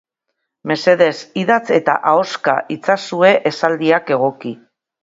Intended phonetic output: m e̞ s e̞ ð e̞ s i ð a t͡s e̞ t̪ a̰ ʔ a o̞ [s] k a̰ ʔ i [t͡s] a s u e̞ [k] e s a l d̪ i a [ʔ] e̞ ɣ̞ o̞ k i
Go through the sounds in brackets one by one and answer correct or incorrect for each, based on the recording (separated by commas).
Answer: correct, correct, incorrect, incorrect